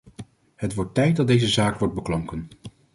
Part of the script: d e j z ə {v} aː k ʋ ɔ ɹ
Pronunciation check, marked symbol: incorrect: z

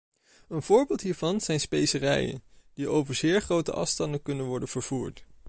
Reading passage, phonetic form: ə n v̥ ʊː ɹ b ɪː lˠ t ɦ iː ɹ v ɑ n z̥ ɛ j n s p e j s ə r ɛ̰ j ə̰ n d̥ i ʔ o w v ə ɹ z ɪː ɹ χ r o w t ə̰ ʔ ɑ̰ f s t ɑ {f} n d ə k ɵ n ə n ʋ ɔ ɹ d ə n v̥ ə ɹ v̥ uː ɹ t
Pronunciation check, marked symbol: incorrect: none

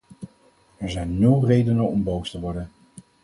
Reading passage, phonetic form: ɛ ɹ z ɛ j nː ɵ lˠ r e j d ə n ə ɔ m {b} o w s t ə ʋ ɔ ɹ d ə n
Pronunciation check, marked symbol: correct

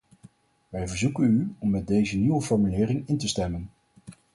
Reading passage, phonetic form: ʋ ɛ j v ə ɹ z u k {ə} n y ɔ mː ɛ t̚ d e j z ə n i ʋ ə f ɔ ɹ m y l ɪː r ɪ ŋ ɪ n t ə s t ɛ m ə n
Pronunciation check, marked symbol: correct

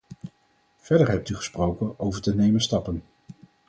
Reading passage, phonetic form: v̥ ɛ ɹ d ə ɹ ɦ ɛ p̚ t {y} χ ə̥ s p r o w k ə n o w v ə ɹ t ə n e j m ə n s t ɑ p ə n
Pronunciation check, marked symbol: correct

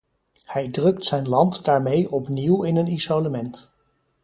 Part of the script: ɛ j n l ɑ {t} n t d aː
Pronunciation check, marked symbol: incorrect: none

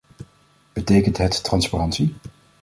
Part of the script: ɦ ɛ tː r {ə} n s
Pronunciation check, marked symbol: incorrect: ɑ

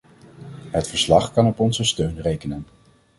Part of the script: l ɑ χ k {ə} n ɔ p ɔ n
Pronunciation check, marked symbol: incorrect: ɑ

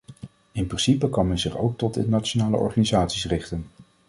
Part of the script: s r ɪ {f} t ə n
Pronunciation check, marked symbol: incorrect: χ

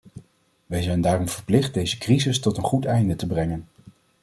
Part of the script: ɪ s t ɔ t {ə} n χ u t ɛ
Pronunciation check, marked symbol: correct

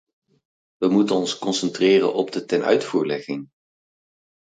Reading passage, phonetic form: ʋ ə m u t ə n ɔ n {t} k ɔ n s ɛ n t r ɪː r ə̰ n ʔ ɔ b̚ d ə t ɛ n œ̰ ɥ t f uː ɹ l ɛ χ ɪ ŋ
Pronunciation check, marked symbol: incorrect: s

